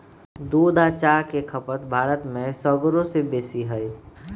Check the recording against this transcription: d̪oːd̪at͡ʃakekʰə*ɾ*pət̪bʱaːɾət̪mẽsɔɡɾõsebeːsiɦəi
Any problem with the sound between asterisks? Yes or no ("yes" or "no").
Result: yes